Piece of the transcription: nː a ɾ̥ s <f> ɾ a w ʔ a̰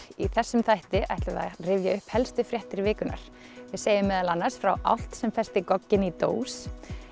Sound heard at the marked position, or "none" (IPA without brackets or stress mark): f